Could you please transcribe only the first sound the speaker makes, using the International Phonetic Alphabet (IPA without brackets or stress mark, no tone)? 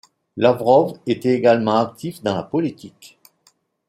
l